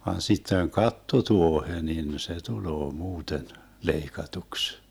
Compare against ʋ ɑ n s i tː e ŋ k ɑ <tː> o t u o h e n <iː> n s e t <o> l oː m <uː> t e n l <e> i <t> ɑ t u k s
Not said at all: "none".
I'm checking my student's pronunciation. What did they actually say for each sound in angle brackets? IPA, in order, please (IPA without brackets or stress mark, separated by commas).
tː, i, u, uː, e, k